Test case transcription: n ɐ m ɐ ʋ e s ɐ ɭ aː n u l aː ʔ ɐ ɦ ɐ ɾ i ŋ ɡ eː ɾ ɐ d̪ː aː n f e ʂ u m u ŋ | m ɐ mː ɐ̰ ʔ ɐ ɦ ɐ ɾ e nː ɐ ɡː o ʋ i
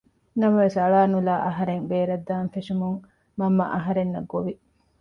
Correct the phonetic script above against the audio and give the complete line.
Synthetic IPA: n ɐ m ɐ ʋ e s ɐ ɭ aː n u l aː ʔ ɐ ɦ ɐ ɾ e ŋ b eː ɾ ɐ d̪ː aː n f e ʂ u m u ŋ | m ɐ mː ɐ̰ ʔ ɐ ɦ ɐ ɾ e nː ɐ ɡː o ʋ i